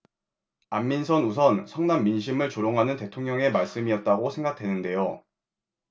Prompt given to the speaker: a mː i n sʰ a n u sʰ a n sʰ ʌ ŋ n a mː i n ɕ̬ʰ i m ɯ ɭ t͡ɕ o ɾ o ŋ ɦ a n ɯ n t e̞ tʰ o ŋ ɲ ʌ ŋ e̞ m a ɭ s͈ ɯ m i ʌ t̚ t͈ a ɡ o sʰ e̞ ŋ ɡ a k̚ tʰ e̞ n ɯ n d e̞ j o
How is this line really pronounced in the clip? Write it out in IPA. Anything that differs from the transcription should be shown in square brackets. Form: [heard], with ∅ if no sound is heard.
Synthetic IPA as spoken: a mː i n sʰ [ʌ] n u sʰ [ʌ] n sʰ ʌ ŋ n a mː i n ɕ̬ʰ i m ɯ ɭ t͡ɕ o ɾ o ŋ ɦ a n ɯ n t e̞ tʰ o ŋ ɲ ʌ ŋ e̞ m a ɭ s͈ ɯ m i ʌ t̚ t͈ a ɡ o sʰ e̞ ŋ ɡ a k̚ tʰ e̞ n ɯ n d e̞ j o